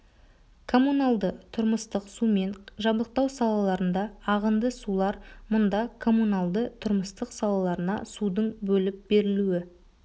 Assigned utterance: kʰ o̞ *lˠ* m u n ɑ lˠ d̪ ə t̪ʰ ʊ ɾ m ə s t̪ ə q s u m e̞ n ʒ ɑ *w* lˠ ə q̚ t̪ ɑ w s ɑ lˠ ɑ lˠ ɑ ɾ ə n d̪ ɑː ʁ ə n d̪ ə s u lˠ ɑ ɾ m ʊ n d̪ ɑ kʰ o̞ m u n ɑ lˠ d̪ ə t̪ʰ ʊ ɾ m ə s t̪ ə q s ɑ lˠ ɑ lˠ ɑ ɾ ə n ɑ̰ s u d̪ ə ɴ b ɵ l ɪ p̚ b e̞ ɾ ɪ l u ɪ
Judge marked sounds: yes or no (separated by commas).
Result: no, no